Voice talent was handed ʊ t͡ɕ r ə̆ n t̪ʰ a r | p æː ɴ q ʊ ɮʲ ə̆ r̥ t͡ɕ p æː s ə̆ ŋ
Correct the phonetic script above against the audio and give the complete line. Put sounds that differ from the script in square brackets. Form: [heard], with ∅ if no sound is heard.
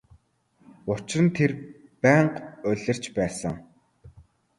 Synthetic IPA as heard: ʊ t͡ɕ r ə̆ n t̪ʰ [e] r | p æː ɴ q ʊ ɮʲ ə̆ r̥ t͡ɕ p æː s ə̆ ŋ